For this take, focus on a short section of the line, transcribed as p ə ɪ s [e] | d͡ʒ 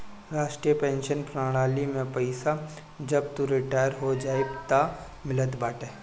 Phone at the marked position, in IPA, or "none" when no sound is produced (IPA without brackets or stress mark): a